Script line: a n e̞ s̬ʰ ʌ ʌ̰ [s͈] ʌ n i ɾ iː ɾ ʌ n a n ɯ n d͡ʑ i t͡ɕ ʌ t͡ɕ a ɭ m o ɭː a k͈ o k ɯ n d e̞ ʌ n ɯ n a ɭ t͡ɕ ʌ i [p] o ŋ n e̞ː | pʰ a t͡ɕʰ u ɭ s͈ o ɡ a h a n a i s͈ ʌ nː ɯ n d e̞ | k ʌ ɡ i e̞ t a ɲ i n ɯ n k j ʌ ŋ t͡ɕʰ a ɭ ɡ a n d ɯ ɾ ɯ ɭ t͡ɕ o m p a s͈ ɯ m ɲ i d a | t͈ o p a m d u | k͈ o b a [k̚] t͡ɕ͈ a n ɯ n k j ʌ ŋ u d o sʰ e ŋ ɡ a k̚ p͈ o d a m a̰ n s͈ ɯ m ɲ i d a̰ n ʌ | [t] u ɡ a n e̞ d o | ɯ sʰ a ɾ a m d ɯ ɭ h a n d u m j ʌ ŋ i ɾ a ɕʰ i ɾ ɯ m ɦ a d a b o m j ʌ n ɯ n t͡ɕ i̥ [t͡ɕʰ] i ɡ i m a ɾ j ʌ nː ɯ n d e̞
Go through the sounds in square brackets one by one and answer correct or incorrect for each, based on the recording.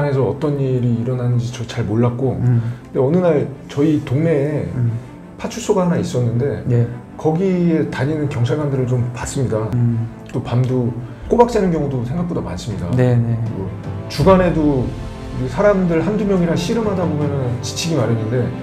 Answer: incorrect: t͈, incorrect: t, correct, incorrect: t͡ɕ, correct

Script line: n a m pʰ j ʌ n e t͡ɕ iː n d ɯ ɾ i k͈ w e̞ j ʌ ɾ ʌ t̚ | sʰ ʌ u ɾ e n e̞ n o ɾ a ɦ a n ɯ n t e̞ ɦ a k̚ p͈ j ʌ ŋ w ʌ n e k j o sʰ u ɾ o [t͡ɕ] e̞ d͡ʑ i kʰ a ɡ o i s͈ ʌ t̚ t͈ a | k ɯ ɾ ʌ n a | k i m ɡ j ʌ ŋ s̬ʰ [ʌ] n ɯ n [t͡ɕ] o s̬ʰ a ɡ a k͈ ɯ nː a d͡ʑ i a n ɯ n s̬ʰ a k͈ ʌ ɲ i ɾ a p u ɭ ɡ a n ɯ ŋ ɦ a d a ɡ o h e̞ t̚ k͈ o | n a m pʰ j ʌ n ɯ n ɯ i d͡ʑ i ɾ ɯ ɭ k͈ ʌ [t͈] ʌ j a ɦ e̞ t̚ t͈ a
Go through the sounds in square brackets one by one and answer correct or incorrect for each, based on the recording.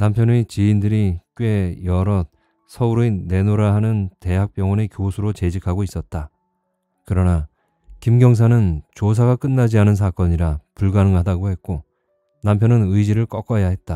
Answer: correct, incorrect: a, correct, incorrect: k͈

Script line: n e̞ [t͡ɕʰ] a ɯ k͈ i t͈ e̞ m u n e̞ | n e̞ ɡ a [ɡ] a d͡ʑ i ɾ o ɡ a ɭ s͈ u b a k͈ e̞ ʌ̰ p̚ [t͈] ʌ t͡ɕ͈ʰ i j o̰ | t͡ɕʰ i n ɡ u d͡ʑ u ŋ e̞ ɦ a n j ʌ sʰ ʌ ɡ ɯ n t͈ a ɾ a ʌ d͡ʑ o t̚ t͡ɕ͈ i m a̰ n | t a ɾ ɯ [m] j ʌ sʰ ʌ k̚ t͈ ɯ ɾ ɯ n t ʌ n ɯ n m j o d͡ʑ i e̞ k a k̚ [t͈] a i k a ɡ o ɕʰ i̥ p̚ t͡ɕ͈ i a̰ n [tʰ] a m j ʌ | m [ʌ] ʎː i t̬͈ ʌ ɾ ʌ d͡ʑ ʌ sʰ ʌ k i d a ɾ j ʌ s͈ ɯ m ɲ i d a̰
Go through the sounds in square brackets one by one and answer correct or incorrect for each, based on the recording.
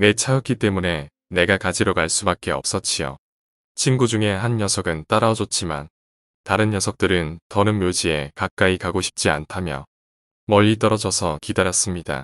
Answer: correct, incorrect: k, incorrect: s͈, incorrect: n, incorrect: k͈, correct, correct

